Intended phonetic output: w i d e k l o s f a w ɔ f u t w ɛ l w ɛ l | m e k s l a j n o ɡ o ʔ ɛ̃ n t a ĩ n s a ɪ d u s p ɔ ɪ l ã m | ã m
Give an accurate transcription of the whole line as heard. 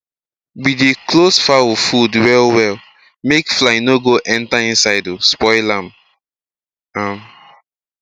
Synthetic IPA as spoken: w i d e k l o s f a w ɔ f u d w ɛ l w ɛ l | m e k f l a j n o ɡ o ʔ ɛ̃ n t a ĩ n s a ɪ d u s p ɔ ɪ l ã m | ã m